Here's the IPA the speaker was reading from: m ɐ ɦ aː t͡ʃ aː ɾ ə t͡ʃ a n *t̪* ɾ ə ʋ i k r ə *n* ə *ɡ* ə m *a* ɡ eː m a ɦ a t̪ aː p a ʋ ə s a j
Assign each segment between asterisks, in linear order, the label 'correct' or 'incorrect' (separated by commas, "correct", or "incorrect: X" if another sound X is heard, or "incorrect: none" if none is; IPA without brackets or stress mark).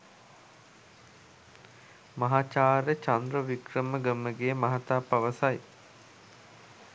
incorrect: d̪, incorrect: m, correct, incorrect: ə